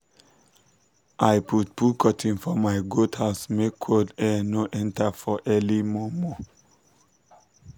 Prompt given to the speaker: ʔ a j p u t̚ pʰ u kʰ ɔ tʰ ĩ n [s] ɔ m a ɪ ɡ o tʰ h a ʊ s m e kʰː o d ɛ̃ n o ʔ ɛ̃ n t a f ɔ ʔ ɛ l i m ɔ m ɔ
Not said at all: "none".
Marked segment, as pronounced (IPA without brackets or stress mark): f